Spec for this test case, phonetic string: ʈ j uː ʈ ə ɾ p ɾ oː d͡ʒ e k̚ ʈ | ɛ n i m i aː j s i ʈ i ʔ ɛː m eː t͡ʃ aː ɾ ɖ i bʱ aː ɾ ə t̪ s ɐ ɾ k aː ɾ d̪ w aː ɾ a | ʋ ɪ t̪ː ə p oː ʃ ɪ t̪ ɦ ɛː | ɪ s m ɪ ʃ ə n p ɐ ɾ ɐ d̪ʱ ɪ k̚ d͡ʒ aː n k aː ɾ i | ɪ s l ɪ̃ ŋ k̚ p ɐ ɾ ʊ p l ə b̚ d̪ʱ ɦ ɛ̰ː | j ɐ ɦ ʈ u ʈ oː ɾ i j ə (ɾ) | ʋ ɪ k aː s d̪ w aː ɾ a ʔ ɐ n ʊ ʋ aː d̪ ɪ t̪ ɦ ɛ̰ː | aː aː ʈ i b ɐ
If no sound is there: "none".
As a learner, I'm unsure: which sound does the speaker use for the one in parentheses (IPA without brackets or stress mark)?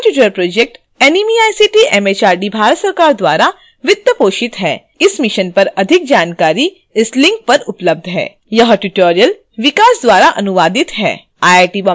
l